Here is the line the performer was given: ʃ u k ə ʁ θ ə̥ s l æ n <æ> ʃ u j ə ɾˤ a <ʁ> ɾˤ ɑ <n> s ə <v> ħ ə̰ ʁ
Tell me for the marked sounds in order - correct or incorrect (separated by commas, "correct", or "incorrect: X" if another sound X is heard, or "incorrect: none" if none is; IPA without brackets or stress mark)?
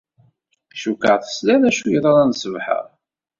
correct, incorrect: none, correct, correct